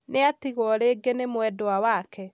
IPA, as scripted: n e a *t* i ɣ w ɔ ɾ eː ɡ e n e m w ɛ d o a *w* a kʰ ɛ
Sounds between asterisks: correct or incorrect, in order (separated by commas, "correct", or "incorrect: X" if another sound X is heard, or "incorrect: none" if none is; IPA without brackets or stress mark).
correct, correct